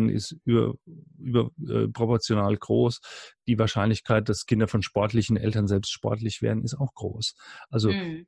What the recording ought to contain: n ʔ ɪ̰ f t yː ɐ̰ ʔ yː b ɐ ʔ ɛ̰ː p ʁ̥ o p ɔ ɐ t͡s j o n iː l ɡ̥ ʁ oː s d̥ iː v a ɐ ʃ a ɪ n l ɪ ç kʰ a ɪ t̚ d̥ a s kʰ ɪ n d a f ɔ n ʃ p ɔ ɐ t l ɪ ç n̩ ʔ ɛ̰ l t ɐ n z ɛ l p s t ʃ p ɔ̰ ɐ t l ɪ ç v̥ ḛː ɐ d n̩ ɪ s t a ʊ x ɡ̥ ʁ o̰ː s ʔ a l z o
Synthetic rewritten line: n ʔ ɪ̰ s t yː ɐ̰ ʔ yː b ɐ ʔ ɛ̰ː p ʁ̥ o p ɔ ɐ t͡s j o n aː l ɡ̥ ʁ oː s d̥ iː v a ɐ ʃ a ɪ n l ɪ ç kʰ a ɪ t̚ d̥ a s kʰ ɪ n d ɐ f ɔ n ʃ p ɔ ɐ t l ɪ ç n̩ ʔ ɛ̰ l t ɐ n z ɛ l p s t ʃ p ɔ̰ ɐ t l ɪ ç v̥ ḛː ɐ d n̩ ɪ s t a ʊ x ɡ̥ ʁ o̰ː s ʔ a l z o